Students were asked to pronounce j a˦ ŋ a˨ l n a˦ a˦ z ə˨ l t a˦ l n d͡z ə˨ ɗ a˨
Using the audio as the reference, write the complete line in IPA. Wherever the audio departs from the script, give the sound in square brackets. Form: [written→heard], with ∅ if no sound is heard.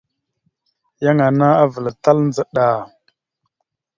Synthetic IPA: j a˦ ŋ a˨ [l→∅] n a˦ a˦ [z→v] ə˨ l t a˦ l n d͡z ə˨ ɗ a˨